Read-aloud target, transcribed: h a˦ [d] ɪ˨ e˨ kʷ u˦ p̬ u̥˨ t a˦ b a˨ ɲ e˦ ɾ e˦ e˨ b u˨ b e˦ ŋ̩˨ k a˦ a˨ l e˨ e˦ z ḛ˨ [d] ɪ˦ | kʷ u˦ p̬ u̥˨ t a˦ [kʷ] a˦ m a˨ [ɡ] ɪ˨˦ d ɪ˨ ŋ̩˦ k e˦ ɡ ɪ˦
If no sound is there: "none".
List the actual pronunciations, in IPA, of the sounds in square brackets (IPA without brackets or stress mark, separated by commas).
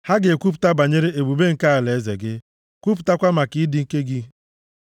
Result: ɡ, ɡ, kʷ, k